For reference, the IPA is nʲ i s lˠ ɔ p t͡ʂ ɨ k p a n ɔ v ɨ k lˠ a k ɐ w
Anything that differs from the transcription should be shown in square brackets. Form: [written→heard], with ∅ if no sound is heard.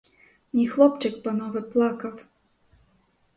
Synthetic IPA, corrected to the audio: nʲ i [s→x] lˠ ɔ p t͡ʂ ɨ k p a n ɔ v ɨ [k→p] lˠ a k ɐ w